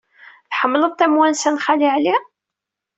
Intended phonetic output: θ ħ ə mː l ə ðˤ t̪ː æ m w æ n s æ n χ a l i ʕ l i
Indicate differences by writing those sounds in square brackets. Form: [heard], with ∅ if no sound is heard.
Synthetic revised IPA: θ ħ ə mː l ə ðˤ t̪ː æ m w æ n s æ n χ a l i ʕ l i